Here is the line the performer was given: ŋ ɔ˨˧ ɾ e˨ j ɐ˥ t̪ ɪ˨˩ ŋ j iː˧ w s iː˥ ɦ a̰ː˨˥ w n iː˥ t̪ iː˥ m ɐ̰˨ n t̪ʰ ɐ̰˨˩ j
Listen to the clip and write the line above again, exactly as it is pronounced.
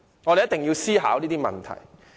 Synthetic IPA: ŋ ɔ˨˧ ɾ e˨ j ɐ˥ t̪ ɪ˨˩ ŋ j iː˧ w s iː˥ ɦ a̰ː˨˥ w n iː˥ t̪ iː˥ m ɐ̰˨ n t̪ʰ ɐ̰˨˩ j

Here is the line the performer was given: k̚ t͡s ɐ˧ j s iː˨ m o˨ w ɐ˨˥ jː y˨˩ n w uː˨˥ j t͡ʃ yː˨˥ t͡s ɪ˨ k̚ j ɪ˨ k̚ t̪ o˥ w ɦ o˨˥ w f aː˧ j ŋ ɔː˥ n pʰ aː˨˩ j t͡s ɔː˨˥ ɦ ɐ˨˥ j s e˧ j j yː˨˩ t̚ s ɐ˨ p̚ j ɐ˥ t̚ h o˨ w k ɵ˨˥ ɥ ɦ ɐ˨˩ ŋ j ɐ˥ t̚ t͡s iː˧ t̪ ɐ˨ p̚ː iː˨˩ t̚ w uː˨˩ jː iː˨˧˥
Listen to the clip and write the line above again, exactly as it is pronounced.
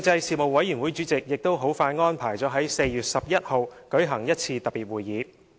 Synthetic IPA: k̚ t͡s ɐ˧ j s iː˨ m o˨ w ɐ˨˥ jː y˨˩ n w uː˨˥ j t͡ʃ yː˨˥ t͡s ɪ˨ k̚ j ɪ˨ k̚ t̪ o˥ w ɦ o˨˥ w f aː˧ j ŋ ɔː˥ n pʰ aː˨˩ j t͡s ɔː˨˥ ɦ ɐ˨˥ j s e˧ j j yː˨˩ t̚ s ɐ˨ p̚ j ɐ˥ t̚ h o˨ w k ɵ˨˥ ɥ ɦ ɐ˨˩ ŋ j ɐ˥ t̚ t͡sʰ iː˧ t̪ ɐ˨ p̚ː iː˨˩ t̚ w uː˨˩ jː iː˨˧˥

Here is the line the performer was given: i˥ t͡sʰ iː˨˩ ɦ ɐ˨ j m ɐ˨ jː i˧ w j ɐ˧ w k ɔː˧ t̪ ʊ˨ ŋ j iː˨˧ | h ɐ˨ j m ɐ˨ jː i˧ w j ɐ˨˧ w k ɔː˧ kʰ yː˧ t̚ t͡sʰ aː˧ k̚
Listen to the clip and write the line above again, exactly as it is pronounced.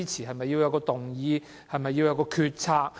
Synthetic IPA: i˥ t͡sʰ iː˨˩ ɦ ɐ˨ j m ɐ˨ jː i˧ w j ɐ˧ w k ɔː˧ t̪ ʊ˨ ŋ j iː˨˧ | h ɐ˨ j m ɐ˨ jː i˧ w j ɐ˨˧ w k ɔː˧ kʰ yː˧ t̚ t͡sʰ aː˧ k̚

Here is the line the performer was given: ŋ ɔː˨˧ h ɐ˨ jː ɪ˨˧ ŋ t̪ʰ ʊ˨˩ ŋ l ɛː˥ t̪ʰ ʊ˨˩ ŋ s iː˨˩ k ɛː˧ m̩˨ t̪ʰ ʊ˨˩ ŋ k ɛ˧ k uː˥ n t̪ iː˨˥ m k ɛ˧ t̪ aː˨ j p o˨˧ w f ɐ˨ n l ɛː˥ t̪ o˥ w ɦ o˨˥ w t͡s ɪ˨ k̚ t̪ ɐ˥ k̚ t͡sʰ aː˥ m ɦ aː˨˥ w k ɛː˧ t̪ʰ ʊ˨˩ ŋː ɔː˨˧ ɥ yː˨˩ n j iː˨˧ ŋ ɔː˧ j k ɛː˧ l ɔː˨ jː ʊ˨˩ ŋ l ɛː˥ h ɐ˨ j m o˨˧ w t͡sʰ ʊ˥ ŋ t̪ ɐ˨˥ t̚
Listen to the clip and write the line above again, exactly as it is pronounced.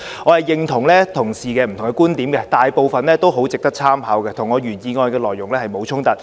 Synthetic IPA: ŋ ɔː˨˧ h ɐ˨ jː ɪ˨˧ ŋ t̪ʰ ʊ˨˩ ŋ l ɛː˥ t̪ʰ ʊ˨˩ ŋ s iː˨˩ k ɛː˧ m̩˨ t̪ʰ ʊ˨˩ ŋ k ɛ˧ k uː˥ n t̪ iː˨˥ m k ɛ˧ t̪ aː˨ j p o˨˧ w f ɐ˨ n l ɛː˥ t̪ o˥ w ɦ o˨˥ w t͡s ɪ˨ k̚ t̪ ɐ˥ k̚ t͡sʰ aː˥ m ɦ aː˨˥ w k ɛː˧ t̪ʰ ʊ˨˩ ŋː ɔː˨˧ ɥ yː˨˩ n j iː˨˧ ŋ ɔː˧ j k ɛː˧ l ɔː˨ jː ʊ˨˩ ŋ l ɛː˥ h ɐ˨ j m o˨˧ w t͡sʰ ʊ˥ ŋ t̪ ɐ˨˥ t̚

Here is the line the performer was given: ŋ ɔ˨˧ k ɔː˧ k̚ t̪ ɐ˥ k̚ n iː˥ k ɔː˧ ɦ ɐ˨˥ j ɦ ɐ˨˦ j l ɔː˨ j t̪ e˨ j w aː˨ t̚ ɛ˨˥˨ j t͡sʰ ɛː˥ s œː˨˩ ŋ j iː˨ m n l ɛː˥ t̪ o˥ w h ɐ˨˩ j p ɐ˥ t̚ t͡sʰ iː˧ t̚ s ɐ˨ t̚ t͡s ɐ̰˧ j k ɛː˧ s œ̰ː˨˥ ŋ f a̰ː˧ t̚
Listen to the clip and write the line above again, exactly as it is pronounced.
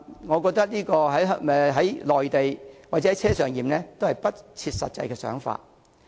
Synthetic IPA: ŋ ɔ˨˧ k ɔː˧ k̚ t̪ ɐ˥ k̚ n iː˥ k ɔː˧ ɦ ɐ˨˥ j ɦ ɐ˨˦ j l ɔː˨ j t̪ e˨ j w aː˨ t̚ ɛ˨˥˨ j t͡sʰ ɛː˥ s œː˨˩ ŋ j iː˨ m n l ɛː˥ t̪ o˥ w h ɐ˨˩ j p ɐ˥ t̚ t͡sʰ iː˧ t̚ s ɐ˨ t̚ t͡s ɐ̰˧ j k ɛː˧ s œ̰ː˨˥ ŋ f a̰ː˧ t̚

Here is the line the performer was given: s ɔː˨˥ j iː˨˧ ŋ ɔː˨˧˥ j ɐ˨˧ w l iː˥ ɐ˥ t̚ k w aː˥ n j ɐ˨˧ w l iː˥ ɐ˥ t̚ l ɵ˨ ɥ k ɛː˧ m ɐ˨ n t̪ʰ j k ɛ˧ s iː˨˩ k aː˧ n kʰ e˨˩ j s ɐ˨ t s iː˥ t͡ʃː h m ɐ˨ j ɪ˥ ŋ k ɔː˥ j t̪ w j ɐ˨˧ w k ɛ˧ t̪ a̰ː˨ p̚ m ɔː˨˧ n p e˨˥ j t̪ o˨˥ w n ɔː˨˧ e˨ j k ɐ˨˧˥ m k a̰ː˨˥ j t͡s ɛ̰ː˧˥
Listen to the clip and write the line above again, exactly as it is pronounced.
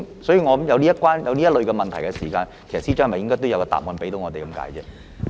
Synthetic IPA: s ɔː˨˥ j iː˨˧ ŋ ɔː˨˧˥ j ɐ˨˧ w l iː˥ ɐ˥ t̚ k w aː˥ n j ɐ˨˧ w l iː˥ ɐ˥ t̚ l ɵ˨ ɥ k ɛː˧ m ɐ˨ n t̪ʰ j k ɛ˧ s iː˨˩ k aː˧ n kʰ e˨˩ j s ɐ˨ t s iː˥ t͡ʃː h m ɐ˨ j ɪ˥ ŋ k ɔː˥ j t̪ w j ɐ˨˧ w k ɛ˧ t̪ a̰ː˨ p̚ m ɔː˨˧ n p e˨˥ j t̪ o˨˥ w ŋ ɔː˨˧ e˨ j k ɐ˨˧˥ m k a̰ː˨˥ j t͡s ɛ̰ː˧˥

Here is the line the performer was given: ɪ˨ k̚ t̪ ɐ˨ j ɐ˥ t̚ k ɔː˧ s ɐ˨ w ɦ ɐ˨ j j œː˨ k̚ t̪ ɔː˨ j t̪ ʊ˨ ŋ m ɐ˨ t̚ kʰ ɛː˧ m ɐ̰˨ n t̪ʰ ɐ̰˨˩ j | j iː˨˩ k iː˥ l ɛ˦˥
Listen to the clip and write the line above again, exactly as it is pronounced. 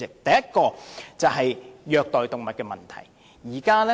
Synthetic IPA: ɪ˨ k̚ t̪ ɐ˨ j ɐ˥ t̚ k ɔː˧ t͡s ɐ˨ w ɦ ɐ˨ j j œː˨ k̚ t̪ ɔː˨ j t̪ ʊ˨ ŋ m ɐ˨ t̚ k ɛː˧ m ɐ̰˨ n t̪ʰ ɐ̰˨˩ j | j iː˨˩ k aː˥ l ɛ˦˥

